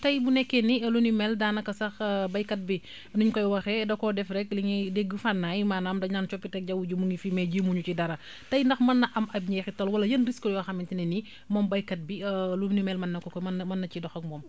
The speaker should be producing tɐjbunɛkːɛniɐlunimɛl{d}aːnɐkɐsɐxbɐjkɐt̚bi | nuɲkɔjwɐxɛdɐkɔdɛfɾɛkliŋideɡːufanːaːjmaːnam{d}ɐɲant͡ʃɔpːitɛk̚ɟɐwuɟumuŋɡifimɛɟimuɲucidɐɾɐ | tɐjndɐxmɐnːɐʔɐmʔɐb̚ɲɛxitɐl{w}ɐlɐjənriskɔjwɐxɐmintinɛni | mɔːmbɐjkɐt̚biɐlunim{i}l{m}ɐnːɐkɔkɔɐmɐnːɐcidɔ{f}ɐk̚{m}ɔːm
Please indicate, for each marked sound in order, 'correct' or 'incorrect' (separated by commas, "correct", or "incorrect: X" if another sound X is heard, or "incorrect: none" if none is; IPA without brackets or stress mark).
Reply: correct, correct, correct, incorrect: ɛ, correct, incorrect: x, correct